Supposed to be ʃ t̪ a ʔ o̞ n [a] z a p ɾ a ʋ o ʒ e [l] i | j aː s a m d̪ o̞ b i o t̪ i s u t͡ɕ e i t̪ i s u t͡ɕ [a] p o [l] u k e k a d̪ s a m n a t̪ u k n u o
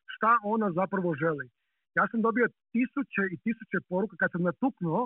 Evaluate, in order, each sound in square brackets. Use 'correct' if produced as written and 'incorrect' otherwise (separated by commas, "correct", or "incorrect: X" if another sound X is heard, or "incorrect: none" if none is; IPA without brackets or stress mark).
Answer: correct, correct, incorrect: e, incorrect: ɾ